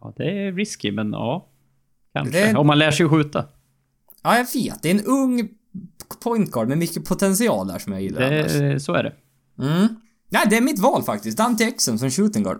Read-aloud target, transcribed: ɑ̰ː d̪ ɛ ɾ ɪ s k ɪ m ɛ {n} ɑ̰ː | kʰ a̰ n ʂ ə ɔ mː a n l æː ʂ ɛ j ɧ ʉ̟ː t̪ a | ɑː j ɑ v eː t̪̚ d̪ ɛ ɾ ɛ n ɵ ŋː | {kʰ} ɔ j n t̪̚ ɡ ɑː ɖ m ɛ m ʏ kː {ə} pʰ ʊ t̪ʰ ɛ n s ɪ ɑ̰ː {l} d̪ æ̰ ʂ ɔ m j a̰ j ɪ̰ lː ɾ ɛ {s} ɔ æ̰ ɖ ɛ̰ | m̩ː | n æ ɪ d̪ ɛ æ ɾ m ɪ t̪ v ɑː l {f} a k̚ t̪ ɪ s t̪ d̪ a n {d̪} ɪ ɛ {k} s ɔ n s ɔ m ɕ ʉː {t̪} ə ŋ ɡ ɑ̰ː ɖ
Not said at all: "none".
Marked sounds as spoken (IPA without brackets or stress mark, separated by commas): n, pʰ, ə, l, s, f, t̪, k, t̪